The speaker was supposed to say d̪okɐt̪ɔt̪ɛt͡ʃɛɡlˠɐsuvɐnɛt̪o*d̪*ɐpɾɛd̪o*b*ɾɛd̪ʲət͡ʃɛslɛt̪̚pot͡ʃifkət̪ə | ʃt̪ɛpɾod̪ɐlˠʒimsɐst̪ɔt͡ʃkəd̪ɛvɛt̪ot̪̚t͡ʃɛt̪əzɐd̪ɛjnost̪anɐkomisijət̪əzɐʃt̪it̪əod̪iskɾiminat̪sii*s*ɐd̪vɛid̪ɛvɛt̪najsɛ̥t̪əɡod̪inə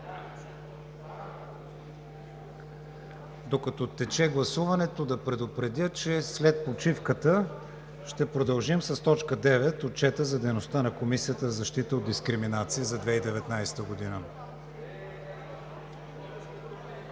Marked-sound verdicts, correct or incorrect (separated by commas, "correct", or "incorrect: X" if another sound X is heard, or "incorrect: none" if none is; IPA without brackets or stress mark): correct, incorrect: p, incorrect: z